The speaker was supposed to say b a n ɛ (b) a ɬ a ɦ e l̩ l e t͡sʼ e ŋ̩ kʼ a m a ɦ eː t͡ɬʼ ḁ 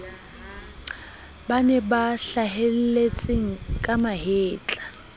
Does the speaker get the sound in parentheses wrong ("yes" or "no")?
no